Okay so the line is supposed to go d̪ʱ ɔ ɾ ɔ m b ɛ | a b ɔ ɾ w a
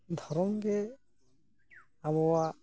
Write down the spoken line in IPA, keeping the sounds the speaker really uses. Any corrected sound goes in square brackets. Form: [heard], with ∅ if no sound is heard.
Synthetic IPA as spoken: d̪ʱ ɔ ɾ ɔ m [ɡ] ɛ | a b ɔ [∅] w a